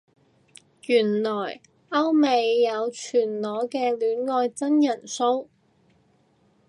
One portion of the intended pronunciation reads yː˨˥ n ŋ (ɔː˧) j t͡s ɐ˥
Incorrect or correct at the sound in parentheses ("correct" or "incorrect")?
correct